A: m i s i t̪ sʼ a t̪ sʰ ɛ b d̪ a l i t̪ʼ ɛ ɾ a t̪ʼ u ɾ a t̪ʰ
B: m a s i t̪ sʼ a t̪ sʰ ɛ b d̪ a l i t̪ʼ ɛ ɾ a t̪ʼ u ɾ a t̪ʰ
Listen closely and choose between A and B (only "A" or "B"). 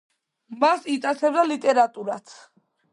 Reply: B